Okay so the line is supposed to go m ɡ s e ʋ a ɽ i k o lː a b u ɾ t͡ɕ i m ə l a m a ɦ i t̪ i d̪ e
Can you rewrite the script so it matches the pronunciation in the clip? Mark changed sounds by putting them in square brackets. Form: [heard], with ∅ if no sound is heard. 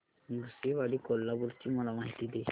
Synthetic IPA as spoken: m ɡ s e ʋ a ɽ i k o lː a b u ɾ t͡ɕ i m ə l a m a ɦ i t̪ i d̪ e